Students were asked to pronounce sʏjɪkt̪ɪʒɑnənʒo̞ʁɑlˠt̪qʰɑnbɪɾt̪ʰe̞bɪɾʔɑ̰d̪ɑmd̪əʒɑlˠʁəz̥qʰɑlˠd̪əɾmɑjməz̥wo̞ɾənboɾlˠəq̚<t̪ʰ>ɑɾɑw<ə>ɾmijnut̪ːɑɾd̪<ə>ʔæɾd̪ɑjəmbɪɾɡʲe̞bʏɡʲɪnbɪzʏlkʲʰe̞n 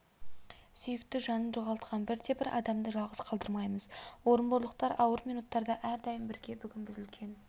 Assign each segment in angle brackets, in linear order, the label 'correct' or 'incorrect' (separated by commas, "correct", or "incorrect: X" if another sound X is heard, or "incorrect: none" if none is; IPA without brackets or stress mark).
incorrect: t̪, correct, incorrect: ɑ